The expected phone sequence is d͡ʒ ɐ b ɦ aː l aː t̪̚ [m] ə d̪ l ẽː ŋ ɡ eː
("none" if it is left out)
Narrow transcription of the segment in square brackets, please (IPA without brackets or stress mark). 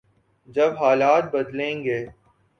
b